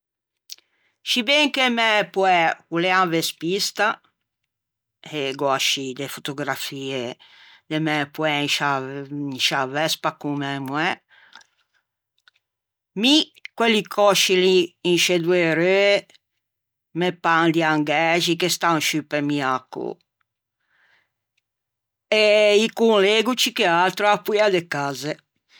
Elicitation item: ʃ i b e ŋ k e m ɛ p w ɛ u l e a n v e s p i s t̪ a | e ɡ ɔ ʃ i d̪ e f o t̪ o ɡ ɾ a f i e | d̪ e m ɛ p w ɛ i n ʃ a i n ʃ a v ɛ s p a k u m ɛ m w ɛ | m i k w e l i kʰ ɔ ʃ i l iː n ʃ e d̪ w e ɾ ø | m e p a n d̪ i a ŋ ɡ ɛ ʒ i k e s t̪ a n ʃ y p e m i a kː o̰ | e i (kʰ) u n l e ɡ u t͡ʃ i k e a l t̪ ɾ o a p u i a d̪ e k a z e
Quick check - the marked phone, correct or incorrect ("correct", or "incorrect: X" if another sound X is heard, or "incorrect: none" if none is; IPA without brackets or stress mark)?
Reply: incorrect: k